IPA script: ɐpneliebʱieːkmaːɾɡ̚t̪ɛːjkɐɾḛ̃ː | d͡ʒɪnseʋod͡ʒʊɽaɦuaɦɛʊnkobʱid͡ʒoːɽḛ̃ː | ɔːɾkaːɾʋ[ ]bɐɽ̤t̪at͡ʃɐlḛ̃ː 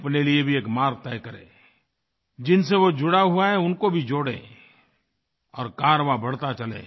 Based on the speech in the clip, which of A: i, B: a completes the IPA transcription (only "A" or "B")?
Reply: B